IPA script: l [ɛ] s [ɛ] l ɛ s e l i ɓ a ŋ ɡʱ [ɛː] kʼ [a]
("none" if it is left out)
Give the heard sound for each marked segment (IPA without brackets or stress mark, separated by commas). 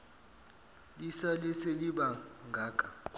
i, a, aː, a